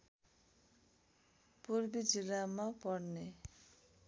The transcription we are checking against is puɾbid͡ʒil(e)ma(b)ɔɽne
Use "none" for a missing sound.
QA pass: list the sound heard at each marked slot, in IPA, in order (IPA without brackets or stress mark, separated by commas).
a, p